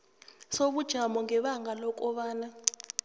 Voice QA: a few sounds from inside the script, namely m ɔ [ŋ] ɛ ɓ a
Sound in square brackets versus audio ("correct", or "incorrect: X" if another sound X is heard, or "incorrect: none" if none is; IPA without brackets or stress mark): correct